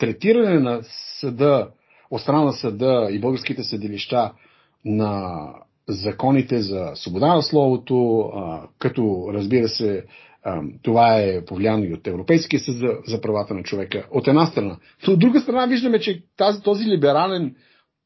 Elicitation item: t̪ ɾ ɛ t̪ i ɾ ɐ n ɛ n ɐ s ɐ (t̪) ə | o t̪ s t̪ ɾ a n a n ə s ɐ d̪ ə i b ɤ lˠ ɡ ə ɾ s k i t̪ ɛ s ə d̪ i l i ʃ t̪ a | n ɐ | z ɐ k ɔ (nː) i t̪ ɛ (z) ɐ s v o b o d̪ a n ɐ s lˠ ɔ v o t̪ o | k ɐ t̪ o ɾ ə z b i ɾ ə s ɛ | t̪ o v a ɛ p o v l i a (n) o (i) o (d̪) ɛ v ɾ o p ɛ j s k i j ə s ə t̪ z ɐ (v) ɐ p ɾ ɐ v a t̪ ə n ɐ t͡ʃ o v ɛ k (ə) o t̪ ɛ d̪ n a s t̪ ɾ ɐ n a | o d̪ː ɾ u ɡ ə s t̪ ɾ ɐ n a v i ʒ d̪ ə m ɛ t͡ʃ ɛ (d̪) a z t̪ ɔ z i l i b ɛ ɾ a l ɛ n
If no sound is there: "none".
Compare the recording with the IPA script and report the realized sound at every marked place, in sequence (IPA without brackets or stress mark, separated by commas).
d̪, n, z, n, i, t̪, z, ə, t̪